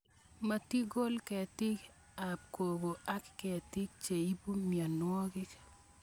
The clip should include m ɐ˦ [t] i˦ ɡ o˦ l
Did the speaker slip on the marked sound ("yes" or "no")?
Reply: no